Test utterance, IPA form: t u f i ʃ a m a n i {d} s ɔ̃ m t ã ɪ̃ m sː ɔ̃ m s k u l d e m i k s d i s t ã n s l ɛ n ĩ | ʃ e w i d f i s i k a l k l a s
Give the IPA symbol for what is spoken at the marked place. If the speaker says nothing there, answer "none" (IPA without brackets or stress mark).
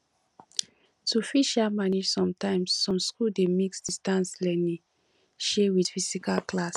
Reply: d͡ʒ